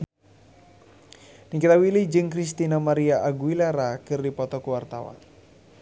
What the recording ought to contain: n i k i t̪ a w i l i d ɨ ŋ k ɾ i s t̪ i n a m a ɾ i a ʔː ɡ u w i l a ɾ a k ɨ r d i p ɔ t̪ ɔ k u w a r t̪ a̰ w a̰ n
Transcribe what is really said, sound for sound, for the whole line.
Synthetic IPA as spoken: n i k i t̪ a w i l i d͡ʒ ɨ ŋ k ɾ i s t̪ i n a m a ɾ i a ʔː ɡ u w i l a ɾ a k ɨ r d i p ɔ t̪ ɔ k u w a r t̪ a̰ w a̰ n